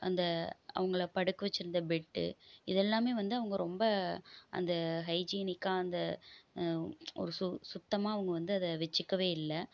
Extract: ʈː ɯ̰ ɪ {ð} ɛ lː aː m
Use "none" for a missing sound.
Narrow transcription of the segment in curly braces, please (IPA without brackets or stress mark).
ð